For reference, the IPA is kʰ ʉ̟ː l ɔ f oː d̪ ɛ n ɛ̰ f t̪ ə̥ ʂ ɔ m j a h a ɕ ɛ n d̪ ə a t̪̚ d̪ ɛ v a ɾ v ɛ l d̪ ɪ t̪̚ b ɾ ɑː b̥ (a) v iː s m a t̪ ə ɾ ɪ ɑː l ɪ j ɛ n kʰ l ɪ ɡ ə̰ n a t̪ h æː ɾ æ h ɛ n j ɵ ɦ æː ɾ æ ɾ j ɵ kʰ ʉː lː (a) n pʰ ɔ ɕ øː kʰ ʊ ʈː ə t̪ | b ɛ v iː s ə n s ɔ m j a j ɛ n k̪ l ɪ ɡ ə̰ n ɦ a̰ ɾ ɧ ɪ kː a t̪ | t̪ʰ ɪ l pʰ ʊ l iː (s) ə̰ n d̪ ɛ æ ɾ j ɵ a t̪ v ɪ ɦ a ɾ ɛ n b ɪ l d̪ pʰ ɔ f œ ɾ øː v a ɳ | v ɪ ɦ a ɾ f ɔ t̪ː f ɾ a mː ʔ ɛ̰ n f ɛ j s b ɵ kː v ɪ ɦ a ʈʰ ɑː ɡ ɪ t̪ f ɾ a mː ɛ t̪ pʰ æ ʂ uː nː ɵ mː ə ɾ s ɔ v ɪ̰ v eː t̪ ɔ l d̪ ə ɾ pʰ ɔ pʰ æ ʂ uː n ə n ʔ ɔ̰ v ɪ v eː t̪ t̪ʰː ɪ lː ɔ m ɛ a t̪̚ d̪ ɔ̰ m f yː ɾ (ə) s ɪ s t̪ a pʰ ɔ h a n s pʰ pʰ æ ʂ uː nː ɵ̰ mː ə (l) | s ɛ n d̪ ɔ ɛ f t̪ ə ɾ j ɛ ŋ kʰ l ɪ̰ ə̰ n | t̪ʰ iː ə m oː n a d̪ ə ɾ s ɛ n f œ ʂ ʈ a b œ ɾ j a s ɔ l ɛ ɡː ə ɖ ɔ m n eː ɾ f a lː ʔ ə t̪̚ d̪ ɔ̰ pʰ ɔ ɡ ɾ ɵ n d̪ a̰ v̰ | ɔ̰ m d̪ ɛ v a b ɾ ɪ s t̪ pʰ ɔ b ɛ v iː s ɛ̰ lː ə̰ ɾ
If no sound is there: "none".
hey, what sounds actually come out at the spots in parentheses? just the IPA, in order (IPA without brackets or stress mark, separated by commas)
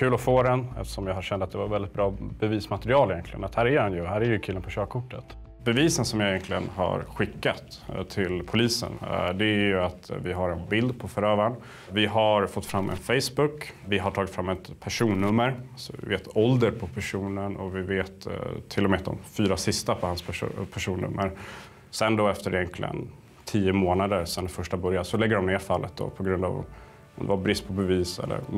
ɛ, ə, s, a, ɾ